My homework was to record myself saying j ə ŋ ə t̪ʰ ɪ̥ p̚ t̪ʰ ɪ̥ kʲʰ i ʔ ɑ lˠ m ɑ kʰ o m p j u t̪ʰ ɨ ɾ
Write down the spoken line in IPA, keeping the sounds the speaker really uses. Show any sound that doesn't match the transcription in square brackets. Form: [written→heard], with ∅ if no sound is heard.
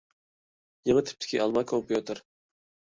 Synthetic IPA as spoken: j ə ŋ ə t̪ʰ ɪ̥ p̚ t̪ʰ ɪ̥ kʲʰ i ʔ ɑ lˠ m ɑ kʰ o m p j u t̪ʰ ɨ ɾ

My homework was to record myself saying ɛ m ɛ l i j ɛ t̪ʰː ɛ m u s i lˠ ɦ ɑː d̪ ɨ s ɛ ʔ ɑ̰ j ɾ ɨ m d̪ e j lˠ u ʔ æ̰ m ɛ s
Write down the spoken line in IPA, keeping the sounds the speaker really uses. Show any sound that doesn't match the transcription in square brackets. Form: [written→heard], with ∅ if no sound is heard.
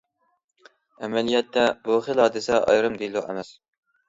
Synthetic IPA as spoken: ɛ m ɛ l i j ɛ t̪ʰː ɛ [m→b] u [s→χ] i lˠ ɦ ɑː d̪ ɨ s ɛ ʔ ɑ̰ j ɾ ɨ m d̪ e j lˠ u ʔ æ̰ m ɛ s

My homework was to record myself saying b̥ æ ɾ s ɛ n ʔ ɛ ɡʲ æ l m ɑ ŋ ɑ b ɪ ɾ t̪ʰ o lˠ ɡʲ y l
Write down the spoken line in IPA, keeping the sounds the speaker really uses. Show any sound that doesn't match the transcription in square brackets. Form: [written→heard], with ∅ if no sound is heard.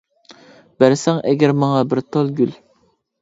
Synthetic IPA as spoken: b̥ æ ɾ s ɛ [n→ŋ] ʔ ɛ ɡʲ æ [l→ɾ] m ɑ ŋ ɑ b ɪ ɾ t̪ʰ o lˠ ɡʲ y l

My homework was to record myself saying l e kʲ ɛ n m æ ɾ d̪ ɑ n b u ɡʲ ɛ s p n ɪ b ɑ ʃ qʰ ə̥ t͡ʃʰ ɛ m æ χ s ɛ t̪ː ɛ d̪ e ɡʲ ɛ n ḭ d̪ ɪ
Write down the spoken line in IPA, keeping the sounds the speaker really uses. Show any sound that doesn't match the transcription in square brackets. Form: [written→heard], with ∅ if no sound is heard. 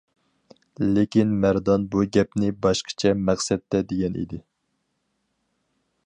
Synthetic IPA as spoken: l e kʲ [ɛ→i] n m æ ɾ d̪ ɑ n b u ɡʲ ɛ [s→∅] p n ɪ b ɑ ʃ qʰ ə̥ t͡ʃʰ ɛ m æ χ s ɛ t̪ː ɛ d̪ e ɡʲ ɛ n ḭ d̪ ɪ

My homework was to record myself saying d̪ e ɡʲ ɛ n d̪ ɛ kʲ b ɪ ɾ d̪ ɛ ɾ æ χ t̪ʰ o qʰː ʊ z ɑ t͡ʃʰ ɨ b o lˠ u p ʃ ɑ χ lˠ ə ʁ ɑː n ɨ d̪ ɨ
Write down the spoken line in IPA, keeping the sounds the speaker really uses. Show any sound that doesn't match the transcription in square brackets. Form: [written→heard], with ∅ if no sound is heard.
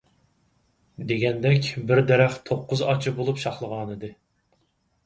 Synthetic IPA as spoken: d̪ e ɡʲ ɛ n d̪ ɛ kʲ b ɪ ɾ d̪ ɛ ɾ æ χ t̪ʰ o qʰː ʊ z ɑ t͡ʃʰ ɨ b o lˠ u p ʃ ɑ χ lˠ ə ʁ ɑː n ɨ d̪ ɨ

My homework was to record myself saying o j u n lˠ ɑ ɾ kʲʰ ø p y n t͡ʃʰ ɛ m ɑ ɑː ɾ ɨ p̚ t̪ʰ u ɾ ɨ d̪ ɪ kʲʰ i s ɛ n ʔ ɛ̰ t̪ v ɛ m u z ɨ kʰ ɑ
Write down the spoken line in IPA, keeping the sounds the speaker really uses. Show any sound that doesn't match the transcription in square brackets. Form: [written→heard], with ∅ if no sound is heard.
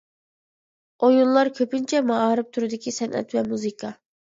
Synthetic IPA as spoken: o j u n lˠ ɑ ɾ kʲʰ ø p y n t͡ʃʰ ɛ m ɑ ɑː ɾ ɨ p̚ t̪ʰ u ɾ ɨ d̪ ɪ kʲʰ i s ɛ n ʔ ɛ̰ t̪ v ɛ m u z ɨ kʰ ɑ

